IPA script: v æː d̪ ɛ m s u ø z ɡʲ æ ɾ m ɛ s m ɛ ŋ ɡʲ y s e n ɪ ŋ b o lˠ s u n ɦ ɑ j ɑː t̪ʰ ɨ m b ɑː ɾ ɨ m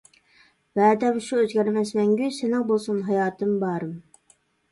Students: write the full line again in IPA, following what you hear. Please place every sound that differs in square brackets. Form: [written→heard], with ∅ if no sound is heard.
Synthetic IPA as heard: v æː d̪ ɛ m [s→ʃ] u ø z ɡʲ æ ɾ m ɛ s m ɛ ŋ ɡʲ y s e n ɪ ŋ b o lˠ s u n ɦ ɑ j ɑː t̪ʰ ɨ m b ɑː ɾ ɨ m